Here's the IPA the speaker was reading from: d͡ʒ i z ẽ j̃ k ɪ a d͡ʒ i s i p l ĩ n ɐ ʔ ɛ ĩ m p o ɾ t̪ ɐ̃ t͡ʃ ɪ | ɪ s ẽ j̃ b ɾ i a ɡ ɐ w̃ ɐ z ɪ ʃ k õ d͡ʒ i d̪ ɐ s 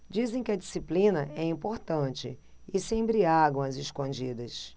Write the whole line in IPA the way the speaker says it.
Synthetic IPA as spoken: d͡ʒ i z ẽ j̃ k ɪ ɐ d͡ʒ i s i p l ĩ n ɐ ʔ ɛ ĩ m p o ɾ t̪ ɐ̃ t͡ʃ ɪ | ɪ s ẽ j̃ b ɾ i a ɡ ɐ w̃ ɐ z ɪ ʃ k õ d͡ʒ i d̪ ɐ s